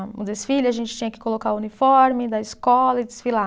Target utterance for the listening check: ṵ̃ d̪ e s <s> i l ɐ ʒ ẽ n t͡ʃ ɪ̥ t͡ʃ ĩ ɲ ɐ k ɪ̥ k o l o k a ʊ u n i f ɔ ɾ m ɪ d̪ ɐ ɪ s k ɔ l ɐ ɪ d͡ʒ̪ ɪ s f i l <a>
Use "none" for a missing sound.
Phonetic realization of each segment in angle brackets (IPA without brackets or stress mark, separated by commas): f, a